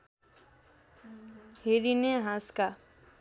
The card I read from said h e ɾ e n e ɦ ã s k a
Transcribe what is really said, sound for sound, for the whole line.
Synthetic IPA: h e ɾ i n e ɦ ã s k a